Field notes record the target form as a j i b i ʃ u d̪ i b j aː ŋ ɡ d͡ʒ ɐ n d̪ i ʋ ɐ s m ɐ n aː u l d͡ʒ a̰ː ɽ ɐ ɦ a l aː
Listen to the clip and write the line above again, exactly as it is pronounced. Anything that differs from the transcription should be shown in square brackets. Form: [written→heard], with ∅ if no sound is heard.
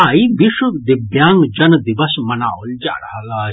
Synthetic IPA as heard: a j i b i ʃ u d̪ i b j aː ŋ ɡ d͡ʒ ɐ n d̪ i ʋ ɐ s m ɐ n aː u l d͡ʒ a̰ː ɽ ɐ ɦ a l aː